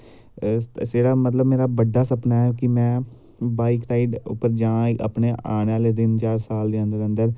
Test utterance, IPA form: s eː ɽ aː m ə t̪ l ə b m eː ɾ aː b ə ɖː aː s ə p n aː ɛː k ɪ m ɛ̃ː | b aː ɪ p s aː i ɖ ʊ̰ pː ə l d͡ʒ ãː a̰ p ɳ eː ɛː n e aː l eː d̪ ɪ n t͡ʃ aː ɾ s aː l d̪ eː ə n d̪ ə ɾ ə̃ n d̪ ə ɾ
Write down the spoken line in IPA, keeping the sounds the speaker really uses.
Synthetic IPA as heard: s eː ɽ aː m ə t̪ l ə b m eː ɾ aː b ə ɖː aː s ə p n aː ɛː k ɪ m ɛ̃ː | b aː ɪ k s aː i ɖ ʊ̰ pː ə ɾ d͡ʒ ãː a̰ p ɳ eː aː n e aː l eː d̪ ɪ n t͡ʃ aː ɾ s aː l d̪ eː ə n d̪ ə ɾ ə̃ n d̪ ə ɾ